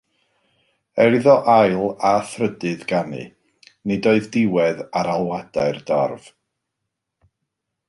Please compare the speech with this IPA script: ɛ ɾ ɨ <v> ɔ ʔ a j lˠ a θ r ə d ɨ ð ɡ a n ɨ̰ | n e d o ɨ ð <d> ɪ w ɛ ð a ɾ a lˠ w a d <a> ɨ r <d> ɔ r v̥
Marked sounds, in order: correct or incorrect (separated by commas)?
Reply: incorrect, correct, correct, correct